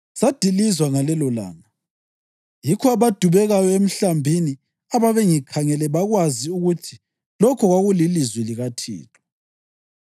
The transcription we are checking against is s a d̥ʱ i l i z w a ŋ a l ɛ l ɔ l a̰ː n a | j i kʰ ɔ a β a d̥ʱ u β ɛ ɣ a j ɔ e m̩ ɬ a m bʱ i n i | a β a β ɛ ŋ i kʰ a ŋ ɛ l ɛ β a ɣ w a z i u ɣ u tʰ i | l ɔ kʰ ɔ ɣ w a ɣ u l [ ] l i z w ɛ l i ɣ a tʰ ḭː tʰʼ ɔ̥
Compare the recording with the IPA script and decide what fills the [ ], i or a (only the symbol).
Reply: i